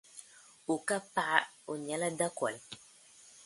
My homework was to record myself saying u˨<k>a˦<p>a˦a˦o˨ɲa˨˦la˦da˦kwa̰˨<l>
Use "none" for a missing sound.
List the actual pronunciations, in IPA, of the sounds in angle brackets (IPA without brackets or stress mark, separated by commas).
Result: k, p, l